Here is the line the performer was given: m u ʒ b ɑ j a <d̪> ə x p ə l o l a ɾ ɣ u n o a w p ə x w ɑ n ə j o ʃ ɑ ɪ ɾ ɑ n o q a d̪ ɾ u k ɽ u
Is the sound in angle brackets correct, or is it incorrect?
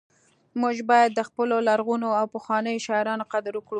incorrect